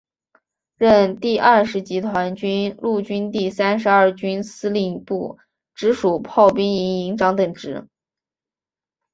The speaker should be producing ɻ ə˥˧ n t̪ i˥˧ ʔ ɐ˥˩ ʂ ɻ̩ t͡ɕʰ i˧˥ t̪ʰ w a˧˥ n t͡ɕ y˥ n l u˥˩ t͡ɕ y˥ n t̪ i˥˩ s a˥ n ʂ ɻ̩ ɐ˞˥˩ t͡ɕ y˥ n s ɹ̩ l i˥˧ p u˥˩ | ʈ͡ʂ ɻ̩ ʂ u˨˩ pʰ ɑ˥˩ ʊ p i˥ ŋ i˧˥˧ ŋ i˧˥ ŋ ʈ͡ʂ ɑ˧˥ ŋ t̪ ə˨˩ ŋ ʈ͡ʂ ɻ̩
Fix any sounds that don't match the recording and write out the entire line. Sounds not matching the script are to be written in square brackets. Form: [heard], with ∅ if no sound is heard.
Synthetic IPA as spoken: ɻ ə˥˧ n t̪ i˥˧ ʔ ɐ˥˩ ʂ ɻ̩ [t͡ɕ] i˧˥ t̪ʰ w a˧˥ n t͡ɕ y˥ n l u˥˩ t͡ɕ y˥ n t̪ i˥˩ s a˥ n ʂ ɻ̩ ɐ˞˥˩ t͡ɕ y˥ n s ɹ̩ l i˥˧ p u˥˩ | ʈ͡ʂ ɻ̩ ʂ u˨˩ pʰ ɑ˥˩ ʊ p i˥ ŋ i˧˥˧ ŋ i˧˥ ŋ ʈ͡ʂ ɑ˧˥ ŋ t̪ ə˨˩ ŋ ʈ͡ʂ ɻ̩